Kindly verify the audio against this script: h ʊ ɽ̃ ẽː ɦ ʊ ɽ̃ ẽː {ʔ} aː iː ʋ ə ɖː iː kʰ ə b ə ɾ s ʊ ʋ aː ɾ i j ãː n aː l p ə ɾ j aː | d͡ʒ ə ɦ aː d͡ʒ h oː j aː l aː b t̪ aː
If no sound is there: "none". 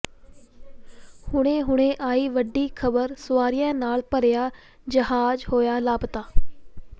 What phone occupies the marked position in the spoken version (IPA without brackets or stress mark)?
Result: ʔ